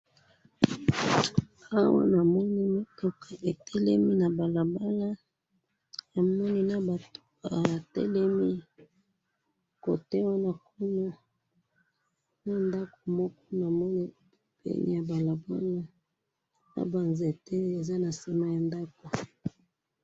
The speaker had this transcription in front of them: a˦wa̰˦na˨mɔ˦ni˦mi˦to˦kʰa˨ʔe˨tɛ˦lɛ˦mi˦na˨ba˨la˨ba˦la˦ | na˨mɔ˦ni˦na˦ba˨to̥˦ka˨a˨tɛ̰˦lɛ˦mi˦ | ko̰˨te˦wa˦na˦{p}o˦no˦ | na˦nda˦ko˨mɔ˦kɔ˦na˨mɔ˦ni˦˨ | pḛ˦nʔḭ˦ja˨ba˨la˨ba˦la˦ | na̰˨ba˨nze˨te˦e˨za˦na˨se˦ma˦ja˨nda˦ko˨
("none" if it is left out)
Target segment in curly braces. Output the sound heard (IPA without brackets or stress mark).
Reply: k